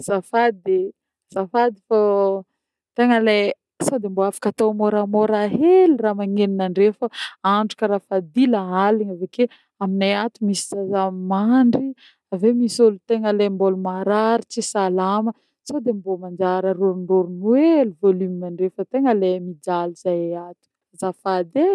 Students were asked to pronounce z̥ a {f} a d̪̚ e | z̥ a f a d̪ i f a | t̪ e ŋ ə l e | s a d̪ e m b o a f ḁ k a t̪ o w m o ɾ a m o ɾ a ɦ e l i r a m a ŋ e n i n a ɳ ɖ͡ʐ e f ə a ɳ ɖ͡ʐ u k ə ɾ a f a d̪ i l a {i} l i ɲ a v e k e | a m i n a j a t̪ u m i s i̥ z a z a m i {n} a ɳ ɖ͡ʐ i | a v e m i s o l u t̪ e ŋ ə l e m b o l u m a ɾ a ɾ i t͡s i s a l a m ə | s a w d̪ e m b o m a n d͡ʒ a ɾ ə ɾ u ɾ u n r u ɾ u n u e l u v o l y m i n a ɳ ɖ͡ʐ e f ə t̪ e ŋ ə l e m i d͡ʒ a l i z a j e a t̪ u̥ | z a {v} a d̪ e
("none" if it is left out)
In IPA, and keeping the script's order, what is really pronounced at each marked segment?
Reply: f, a, m, f

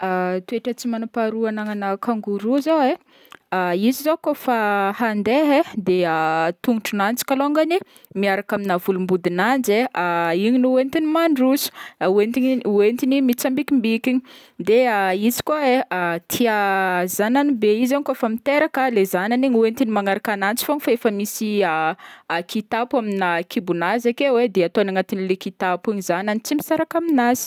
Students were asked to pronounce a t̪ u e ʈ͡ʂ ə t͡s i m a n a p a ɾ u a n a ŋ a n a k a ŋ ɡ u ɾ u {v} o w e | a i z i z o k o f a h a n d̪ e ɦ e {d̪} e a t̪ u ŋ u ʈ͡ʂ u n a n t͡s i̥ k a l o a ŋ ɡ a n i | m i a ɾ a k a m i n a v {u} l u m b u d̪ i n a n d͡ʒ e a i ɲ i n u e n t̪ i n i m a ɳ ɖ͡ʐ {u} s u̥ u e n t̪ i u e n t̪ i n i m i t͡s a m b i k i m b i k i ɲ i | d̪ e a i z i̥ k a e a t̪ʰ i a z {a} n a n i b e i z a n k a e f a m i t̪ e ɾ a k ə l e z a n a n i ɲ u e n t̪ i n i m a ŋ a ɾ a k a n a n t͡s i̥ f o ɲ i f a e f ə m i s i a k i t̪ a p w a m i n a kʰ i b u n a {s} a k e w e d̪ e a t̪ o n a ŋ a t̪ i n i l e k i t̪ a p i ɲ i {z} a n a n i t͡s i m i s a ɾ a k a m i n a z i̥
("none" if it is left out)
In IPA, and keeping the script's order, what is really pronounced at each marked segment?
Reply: z, d̪, u, u, a, z, z

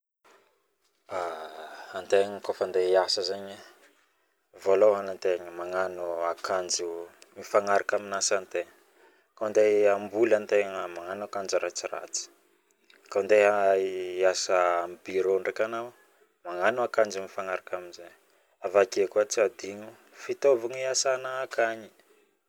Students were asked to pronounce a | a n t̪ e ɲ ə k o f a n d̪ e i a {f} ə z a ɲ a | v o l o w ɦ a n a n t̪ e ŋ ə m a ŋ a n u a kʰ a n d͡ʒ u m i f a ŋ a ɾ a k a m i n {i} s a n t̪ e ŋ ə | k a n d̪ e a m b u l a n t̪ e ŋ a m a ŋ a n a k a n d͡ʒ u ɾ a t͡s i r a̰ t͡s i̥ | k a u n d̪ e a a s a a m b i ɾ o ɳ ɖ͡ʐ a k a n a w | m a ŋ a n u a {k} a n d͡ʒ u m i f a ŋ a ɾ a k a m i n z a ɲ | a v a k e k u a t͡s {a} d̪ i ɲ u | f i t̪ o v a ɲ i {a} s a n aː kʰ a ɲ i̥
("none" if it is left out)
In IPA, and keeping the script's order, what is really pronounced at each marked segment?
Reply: s, a, k, a, a

